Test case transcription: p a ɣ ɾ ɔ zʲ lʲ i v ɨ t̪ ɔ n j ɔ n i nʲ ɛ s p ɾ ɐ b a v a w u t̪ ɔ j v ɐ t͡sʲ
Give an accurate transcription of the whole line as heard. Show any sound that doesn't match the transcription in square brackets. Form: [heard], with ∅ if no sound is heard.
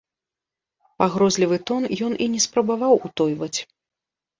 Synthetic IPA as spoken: p a ɣ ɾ ɔ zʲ lʲ i v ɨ t̪ ɔ n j ɔ n i nʲ ɛ s p ɾ ɐ b a v a w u t̪ ɔ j v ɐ t͡sʲ

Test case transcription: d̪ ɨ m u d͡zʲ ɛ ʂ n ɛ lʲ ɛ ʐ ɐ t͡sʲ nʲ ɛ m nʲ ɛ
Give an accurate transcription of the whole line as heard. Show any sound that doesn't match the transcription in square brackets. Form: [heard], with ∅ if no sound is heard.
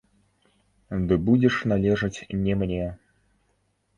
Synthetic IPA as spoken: d̪ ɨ [b] u d͡zʲ ɛ ʂ n [a] lʲ ɛ ʐ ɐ t͡sʲ nʲ ɛ m nʲ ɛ

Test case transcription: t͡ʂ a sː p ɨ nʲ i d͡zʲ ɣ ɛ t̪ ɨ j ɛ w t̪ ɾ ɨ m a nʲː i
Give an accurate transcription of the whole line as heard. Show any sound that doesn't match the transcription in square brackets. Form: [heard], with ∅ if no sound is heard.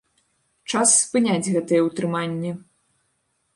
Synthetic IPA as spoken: t͡ʂ a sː p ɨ nʲ [a] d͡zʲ ɣ ɛ t̪ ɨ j ɛ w t̪ ɾ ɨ m a nʲː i

